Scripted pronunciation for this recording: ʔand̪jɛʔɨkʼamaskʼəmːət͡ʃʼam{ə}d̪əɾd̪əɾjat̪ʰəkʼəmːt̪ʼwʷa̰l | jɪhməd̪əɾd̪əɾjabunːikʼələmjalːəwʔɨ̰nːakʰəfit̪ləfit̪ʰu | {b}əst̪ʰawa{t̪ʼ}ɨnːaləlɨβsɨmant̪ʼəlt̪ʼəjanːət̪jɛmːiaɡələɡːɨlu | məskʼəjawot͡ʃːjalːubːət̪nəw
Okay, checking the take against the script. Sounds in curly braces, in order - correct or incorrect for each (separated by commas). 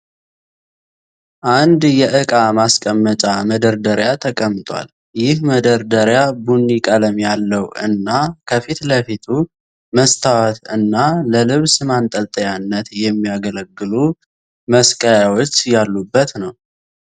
correct, incorrect, incorrect